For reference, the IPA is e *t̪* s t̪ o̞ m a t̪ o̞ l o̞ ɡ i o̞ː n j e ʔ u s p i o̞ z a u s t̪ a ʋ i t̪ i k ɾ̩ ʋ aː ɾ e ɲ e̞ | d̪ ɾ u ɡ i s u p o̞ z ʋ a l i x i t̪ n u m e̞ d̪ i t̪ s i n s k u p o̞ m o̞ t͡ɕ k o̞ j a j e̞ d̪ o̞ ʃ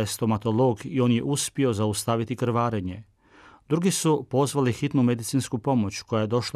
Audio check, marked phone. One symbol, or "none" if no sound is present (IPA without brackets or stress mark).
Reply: none